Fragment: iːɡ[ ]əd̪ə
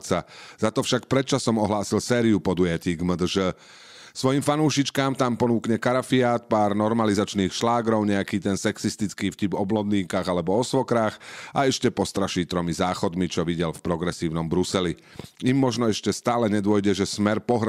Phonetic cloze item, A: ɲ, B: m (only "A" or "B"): B